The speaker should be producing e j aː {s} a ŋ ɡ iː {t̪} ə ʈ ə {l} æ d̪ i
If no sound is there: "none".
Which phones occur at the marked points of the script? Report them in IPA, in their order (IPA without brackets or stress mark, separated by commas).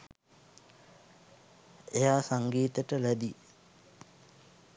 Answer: s, t̪, l